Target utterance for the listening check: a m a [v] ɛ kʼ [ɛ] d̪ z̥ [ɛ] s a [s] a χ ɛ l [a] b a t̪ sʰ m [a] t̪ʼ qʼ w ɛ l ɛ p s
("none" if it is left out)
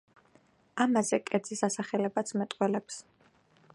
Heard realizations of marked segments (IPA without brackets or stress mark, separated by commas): z, ɛ, i, s, ɛ, ɛ